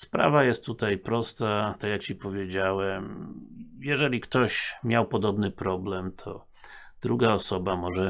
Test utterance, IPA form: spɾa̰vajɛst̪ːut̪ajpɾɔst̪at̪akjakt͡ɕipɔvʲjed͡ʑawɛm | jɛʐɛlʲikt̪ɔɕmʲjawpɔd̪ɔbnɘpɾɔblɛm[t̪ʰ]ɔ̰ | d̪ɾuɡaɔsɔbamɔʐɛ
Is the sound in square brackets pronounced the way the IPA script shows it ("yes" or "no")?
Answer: yes